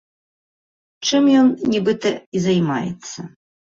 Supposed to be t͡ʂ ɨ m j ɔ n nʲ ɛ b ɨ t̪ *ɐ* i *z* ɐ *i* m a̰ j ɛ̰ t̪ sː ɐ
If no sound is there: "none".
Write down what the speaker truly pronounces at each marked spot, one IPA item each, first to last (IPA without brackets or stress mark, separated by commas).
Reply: ɐ, z, j